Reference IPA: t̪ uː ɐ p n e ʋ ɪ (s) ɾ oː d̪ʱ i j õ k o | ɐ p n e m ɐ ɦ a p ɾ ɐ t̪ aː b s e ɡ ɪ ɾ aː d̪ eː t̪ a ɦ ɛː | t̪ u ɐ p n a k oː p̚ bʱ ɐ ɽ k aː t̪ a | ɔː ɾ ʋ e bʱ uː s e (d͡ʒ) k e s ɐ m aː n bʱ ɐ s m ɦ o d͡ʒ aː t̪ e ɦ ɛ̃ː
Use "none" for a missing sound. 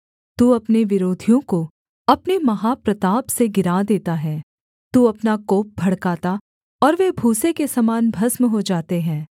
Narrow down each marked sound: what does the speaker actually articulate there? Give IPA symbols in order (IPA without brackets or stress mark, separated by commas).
none, none